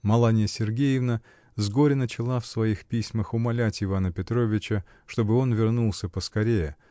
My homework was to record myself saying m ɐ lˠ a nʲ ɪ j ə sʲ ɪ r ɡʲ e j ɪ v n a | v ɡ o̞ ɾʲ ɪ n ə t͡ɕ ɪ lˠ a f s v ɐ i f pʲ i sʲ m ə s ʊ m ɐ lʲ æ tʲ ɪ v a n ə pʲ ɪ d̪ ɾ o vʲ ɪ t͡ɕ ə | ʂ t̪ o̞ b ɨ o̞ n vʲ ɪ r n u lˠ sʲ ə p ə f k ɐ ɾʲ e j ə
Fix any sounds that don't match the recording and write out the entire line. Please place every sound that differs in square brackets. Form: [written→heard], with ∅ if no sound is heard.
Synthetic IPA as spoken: m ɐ lˠ a nʲ ɪ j ə sʲ ɪ r ɡʲ e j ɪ v n [a→ə] | [v→z] ɡ o̞ ɾʲ ɪ n ə t͡ɕ ɪ lˠ a f s v ɐ i [f→x] pʲ i sʲ m ə [s→x] ʊ m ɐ lʲ æ tʲ ɪ v a n ə pʲ ɪ [d̪→t̪] ɾ o vʲ ɪ t͡ɕ ə | ʂ t̪ o̞ b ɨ o̞ n vʲ ɪ r n u lˠ sʲ ə p ə [f→s] k ɐ ɾʲ e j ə